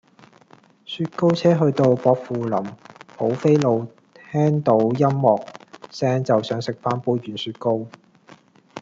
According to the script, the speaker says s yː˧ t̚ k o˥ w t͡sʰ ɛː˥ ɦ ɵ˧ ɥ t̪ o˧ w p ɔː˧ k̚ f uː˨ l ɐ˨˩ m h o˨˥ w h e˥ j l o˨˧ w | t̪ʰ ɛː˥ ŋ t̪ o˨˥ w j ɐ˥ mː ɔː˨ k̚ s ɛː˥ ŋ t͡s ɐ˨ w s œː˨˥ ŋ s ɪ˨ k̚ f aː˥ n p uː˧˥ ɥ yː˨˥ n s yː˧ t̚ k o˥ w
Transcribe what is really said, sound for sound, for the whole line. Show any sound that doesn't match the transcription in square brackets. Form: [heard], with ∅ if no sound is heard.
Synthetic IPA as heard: s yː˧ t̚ k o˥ w t͡sʰ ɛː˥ ɦ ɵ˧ ɥ t̪ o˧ w p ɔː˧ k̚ f uː˨ l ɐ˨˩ m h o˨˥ w [f] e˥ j l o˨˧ w | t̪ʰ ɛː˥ ŋ t̪ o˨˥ w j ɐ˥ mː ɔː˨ k̚ s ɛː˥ ŋ t͡s ɐ˨ w s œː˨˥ ŋ s ɪ˨ k̚ f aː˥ n p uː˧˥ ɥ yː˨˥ n s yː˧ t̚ k o˥ w